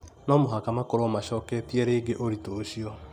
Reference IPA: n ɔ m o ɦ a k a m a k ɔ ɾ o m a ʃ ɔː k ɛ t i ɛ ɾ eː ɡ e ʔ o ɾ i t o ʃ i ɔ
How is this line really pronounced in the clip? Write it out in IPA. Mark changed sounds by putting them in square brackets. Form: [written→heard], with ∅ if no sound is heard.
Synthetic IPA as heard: n ɔ m o ɦ a k a m a k [ɔ→o] ɾ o m a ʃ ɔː k ɛ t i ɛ ɾ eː ɡ e ʔ o ɾ i t o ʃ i ɔ